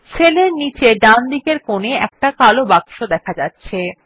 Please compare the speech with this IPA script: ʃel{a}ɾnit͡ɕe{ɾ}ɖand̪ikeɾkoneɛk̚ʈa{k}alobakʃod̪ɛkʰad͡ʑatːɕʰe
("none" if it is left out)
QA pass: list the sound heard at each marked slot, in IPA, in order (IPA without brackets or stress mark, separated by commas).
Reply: e, none, k